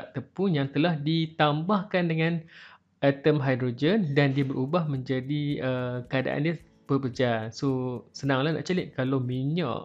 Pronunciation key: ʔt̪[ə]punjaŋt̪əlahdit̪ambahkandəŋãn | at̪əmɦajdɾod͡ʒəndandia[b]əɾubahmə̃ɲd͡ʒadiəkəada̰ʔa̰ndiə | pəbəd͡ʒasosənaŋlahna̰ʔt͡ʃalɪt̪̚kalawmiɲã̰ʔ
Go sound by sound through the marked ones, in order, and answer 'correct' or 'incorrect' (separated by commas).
correct, correct